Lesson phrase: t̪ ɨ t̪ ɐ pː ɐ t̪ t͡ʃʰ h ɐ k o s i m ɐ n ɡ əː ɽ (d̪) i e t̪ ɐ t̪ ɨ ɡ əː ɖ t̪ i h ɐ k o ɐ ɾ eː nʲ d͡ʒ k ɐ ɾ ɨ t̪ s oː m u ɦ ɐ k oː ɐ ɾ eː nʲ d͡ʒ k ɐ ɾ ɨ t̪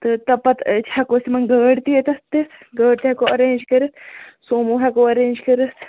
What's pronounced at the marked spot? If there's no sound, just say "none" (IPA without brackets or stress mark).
t̪